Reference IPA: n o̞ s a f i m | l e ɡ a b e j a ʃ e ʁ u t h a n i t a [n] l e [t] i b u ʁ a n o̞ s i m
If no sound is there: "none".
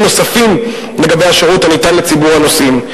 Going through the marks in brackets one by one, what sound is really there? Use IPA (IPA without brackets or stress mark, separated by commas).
n, t͡s